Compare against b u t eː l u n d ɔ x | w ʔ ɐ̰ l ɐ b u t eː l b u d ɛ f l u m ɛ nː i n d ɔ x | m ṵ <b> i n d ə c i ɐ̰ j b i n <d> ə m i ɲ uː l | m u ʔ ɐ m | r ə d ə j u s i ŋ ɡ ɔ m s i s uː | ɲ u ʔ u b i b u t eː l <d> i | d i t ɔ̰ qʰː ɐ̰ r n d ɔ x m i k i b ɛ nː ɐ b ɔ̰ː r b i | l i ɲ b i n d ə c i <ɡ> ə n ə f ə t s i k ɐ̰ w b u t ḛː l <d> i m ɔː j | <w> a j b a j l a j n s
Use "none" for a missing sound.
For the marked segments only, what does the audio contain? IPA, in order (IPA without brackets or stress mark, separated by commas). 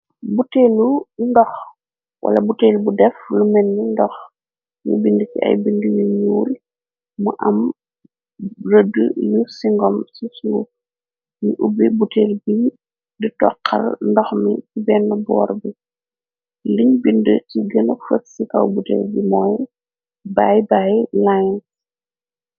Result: b, d, b, ɡ, b, b